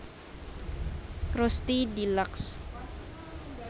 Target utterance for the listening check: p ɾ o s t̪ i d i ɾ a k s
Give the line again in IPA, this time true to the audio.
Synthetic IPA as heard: k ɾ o s t̪ i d i l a k s